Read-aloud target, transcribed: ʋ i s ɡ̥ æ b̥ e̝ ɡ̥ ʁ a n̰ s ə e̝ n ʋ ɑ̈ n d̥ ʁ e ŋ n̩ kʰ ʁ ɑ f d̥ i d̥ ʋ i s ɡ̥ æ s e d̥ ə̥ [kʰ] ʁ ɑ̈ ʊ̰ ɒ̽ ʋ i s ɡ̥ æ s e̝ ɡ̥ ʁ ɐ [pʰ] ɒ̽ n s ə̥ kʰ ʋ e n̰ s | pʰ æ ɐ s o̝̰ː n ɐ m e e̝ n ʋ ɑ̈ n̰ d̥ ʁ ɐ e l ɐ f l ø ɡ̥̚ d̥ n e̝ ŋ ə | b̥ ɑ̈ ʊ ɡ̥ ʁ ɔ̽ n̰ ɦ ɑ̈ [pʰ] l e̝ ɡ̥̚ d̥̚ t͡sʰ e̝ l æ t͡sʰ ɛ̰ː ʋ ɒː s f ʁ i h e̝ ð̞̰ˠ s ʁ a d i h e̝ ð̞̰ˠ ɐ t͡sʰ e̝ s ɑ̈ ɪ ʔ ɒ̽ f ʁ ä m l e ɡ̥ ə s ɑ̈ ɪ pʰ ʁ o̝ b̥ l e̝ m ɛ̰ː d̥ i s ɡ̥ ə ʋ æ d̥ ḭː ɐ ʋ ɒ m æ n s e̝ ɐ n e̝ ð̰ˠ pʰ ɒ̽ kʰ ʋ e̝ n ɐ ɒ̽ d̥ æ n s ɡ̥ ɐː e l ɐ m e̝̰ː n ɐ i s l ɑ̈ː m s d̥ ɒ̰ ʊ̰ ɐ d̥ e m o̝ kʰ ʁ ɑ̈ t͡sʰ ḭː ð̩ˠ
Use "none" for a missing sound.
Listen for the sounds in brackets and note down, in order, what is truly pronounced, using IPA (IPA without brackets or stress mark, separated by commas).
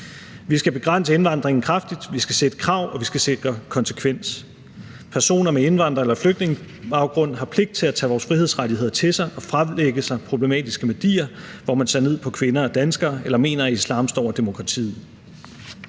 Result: kʰ, kʰ, pʰ